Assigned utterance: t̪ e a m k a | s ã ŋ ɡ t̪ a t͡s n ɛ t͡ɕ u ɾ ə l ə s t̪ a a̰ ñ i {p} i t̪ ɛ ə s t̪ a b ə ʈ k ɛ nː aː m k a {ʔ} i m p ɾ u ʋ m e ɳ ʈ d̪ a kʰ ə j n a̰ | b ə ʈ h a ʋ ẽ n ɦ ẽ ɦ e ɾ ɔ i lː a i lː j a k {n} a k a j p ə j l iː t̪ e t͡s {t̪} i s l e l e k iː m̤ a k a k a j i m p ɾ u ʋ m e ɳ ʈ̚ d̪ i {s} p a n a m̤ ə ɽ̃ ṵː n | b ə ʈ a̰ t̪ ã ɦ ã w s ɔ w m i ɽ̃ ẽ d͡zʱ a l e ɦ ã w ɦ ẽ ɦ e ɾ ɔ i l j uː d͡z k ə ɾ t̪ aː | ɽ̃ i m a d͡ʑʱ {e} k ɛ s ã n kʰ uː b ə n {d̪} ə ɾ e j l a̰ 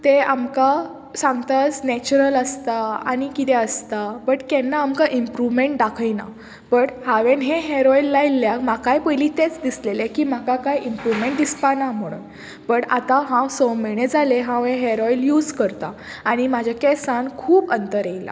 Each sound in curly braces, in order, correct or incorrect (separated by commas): incorrect, correct, incorrect, incorrect, correct, incorrect, incorrect